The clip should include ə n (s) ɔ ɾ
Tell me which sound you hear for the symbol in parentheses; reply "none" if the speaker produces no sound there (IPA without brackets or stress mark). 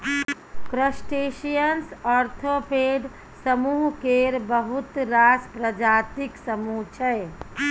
s